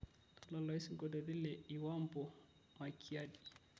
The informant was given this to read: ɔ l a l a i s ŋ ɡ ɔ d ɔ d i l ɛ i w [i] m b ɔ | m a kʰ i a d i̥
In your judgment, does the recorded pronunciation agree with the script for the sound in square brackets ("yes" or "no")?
no